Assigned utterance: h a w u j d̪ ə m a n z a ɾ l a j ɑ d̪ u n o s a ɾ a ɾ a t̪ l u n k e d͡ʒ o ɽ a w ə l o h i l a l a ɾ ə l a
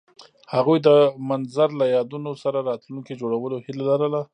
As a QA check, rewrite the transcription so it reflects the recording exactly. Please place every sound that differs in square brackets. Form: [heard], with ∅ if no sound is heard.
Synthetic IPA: h a [ɣ] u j d̪ ə m a n z a ɾ l a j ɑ d̪ u n o s a ɾ a ɾ [ɑ] t̪ l u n k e d͡ʒ o ɽ a w ə l o h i l a l a ɾ ə l a